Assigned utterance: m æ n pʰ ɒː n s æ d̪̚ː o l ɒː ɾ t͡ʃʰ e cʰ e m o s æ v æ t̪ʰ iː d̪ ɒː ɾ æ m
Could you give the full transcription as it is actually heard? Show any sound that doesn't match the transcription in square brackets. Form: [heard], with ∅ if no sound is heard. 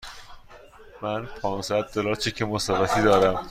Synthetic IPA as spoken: m æ n pʰ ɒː n s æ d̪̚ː o l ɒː ɾ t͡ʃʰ e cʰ e m o s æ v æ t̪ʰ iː d̪ ɒː ɾ æ m